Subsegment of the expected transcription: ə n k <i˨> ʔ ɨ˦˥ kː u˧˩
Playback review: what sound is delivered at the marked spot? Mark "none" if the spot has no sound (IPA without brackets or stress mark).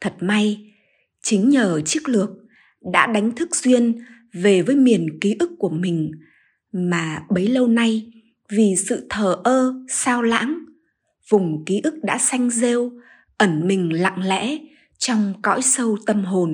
i˨˦